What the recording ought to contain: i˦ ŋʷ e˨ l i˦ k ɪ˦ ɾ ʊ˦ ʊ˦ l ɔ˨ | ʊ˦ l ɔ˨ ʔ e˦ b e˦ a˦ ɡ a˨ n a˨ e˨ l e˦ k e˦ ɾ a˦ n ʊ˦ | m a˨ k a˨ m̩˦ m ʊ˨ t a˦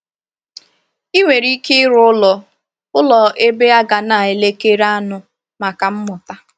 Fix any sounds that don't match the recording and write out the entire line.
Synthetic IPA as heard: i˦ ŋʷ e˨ ɾ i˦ k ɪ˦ ɾ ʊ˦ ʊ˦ l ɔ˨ | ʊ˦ l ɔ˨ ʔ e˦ b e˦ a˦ ɡ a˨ n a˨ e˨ l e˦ k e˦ ɾ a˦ n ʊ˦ | m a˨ k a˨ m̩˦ m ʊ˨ t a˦